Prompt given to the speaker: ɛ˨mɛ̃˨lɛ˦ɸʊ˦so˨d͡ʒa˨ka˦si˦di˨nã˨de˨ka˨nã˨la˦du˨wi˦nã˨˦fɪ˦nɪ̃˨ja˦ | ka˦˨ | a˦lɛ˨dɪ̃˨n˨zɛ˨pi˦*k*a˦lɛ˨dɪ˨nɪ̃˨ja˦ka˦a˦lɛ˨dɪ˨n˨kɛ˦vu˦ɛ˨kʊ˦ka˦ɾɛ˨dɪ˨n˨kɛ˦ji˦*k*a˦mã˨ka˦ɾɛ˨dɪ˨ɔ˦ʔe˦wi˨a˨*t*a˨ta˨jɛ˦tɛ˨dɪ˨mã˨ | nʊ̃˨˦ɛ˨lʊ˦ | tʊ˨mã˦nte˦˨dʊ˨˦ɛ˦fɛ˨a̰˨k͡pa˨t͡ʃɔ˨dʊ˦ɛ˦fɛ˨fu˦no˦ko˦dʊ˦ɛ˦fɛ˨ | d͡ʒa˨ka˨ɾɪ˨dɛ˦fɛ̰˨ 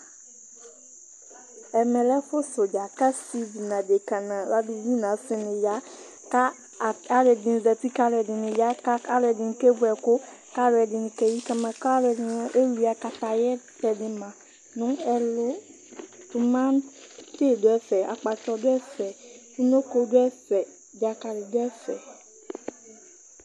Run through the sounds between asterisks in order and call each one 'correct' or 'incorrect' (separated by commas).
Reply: correct, correct, incorrect